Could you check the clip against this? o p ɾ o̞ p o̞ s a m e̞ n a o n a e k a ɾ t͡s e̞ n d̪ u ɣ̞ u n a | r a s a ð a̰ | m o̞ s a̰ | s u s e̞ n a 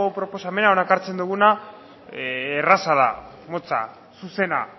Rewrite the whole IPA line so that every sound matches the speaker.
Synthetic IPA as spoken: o p ɾ o̞ p o̞ s a m e̞ n a o n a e k a ɾ t͡s e̞ n d̪ u ɣ̞ u n a | r a s a ð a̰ | m o̞ t͡s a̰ | s u s e̞ n a